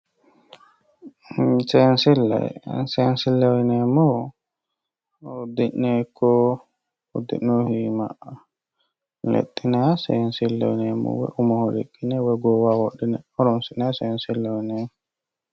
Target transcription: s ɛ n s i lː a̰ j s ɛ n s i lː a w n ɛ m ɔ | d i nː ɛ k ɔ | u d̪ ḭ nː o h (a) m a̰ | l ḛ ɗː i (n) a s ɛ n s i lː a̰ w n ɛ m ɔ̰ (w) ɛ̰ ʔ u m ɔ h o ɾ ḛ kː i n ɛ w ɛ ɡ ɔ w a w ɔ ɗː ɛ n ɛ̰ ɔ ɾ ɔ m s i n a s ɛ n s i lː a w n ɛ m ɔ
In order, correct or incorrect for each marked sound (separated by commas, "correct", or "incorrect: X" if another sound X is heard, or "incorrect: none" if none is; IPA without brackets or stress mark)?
incorrect: i, correct, correct